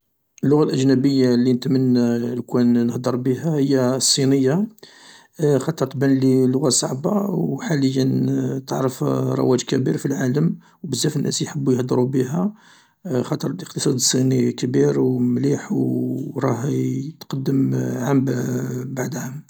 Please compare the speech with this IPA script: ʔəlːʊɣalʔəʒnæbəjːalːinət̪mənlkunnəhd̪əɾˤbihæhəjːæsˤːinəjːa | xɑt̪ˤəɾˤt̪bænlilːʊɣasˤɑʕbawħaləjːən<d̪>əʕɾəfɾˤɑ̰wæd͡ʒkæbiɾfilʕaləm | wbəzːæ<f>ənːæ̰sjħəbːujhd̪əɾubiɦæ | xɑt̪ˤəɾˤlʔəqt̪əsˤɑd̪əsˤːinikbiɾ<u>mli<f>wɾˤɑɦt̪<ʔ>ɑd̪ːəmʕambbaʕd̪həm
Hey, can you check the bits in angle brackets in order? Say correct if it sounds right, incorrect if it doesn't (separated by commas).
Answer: incorrect, correct, incorrect, incorrect, incorrect